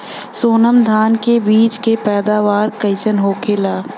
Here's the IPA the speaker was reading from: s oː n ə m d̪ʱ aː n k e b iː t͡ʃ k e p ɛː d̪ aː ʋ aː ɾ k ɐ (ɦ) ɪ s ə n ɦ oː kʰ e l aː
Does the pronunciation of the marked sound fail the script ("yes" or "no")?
yes